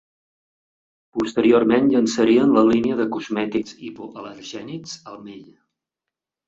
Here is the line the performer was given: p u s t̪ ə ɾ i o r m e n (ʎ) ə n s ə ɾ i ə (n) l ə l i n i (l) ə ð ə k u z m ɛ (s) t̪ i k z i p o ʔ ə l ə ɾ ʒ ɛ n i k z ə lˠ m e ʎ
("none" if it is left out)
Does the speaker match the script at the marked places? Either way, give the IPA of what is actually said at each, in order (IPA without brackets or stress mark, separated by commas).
ʎ, n, none, none